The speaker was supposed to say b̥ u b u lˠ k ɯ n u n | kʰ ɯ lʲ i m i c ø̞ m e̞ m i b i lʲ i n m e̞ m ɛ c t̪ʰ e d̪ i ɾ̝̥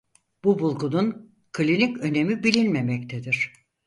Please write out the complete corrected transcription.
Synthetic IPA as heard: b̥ u b u lˠ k u n u n | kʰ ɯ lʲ i n i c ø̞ n e̞ m i b i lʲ i n m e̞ m ɛ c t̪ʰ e d̪ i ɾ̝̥